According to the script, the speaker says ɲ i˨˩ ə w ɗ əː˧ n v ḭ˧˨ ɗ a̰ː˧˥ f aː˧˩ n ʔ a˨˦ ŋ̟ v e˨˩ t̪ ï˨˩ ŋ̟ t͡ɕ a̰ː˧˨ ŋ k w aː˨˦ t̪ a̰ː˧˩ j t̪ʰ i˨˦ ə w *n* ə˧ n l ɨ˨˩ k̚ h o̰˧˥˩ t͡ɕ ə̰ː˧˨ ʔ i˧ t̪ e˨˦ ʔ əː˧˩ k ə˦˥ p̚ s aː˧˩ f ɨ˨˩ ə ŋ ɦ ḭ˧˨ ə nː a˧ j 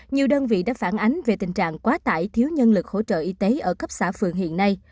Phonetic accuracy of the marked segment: incorrect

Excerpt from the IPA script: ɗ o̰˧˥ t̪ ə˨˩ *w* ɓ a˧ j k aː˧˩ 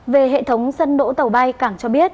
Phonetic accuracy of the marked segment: correct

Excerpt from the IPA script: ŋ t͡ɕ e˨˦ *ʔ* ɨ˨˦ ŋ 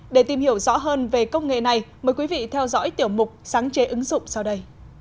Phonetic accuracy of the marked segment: correct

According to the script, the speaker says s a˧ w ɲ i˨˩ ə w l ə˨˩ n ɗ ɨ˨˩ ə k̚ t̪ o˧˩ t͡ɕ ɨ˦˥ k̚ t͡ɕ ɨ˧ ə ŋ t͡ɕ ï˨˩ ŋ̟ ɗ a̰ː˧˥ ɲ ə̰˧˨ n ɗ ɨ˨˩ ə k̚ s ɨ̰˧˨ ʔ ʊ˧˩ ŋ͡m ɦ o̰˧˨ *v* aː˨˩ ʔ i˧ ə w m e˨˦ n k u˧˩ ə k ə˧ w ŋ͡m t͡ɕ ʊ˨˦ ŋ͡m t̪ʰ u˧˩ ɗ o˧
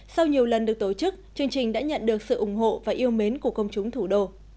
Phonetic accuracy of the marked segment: correct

